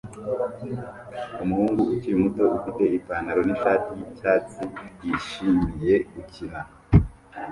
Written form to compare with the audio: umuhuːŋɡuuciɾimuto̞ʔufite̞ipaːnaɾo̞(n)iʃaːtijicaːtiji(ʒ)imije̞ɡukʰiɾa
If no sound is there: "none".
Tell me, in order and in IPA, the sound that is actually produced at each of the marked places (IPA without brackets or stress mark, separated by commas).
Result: n, ʃ